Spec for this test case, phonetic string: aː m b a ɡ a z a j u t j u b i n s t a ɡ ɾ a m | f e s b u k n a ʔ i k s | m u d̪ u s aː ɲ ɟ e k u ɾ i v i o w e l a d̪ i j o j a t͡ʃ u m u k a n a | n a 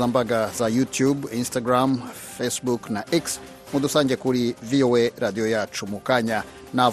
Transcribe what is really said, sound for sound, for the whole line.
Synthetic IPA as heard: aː m b a ɡ a z a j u t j u b i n s t a ɡ ɾ a m | f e s b u k n a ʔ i k s | m u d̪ u s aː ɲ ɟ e k u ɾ i v i o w e ɾ a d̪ i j o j a t͡ʃ u m u k a ɲ a | n a